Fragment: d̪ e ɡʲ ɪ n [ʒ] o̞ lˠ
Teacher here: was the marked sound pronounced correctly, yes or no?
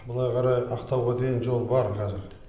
yes